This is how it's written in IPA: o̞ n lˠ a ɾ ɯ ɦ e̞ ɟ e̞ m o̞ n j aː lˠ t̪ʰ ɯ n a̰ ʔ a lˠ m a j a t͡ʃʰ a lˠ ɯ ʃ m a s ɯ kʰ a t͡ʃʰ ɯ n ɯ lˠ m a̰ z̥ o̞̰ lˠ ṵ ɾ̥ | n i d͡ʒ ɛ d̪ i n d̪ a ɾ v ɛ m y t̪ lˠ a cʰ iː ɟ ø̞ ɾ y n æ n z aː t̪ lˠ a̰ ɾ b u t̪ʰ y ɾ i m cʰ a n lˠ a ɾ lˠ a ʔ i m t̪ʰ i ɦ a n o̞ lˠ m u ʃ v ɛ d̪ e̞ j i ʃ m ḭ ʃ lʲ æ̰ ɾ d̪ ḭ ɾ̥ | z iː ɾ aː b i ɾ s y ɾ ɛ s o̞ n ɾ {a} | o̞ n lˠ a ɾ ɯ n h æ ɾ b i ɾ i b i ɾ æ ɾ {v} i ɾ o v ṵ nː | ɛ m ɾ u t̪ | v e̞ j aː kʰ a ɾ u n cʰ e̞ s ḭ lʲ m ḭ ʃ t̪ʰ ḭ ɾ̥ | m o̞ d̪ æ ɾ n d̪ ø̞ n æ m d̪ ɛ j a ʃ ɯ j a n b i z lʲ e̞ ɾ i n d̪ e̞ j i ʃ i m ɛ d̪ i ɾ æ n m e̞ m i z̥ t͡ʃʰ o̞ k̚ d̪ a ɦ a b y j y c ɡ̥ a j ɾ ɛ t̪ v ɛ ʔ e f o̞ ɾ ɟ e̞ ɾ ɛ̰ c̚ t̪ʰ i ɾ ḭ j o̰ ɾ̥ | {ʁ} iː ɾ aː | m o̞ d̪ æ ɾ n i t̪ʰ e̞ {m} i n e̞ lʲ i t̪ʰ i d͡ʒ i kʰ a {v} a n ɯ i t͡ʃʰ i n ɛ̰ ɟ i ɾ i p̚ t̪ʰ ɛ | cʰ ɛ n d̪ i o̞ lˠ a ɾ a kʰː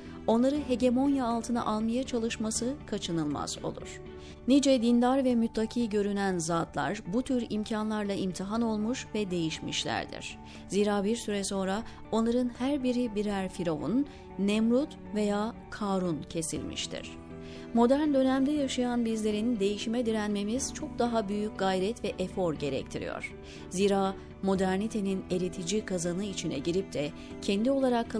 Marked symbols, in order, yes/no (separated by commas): yes, no, no, no, no